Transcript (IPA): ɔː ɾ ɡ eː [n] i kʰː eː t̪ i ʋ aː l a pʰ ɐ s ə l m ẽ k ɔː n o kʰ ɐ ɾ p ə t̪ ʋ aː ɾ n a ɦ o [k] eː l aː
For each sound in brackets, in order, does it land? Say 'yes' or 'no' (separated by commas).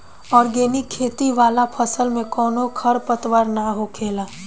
yes, no